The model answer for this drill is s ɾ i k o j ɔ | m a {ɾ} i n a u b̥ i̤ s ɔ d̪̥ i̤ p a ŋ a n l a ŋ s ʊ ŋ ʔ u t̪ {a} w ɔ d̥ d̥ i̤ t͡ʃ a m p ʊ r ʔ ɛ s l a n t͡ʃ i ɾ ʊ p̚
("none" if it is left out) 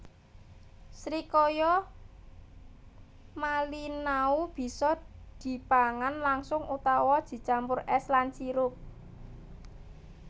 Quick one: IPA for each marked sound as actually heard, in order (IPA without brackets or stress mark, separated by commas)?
l, a